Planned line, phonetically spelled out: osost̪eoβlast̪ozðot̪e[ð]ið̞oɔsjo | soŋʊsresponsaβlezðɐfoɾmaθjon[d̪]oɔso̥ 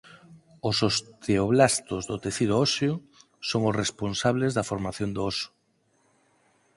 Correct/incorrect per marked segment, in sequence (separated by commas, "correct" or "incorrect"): incorrect, correct